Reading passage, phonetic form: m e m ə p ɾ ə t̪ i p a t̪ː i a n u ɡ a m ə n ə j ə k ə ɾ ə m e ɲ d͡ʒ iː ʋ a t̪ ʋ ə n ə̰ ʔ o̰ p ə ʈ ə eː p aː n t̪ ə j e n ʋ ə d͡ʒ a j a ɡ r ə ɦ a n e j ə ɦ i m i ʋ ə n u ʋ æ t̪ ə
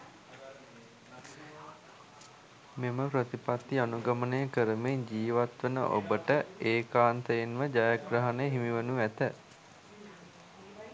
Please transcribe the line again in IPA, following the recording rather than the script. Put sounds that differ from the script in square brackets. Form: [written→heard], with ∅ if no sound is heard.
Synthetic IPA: m e m ə p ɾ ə t̪ i p a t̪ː i a n u ɡ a m ə n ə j ə k ə ɾ ə m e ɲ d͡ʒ iː ʋ a t̪ ʋ ə n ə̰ ʔ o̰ [p→b] ə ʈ ə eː [p→k] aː n t̪ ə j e n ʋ ə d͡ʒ a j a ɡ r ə ɦ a n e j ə ɦ i m i ʋ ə n u ʋ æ t̪ ə